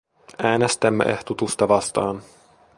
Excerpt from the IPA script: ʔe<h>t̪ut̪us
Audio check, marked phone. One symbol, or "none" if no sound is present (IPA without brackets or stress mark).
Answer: h